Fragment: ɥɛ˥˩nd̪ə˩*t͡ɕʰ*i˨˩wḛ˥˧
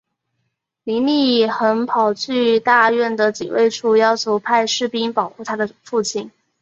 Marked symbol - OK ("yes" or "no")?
no